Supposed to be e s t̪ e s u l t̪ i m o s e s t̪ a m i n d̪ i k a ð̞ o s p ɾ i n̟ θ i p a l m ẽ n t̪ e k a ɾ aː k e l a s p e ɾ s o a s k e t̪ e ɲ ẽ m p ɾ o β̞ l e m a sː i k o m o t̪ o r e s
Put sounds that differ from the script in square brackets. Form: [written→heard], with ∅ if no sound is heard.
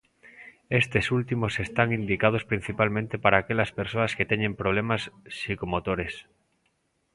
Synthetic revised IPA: e s t̪ e s u l t̪ i m o s e s t̪ a [m→ŋ] i n d̪ i k a ð̞ o s p ɾ i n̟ θ i p a l m ẽ n t̪ e [k→p] a ɾ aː k e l a s p e ɾ s o a s k e t̪ e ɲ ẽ m p ɾ o β̞ l e m a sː i k o m o t̪ o [r→ɾ] e s